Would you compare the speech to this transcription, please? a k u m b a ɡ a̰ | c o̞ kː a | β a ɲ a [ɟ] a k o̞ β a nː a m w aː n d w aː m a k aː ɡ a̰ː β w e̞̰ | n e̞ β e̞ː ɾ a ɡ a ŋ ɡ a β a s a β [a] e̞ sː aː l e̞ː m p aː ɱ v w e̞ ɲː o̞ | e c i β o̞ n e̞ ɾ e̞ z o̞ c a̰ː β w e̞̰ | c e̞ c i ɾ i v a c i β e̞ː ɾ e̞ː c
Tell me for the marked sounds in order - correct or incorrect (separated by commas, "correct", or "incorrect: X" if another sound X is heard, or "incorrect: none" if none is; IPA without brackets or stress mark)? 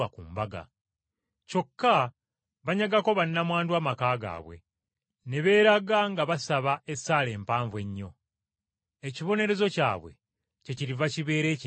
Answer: incorrect: ɡ, correct